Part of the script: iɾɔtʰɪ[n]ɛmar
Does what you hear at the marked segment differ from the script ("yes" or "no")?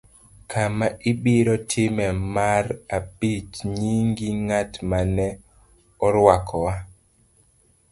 yes